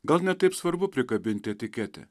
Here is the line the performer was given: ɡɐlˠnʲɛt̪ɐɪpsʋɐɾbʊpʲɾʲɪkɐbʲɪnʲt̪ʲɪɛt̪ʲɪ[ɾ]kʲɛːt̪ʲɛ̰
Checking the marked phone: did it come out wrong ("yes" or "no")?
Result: yes